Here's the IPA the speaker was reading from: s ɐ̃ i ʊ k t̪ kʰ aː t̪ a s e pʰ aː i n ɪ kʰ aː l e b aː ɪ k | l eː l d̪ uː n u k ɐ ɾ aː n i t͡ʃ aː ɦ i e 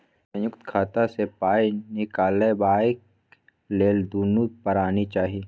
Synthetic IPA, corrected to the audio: s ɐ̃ j ʊ k t̪ kʰ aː t̪ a s e p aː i n ɪ k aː l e b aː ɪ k | l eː l d̪ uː n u p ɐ ɾ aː n i t͡ʃ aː ɦ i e